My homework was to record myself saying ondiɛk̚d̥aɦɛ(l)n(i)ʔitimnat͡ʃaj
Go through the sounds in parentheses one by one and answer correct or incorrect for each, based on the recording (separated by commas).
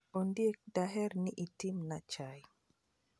incorrect, correct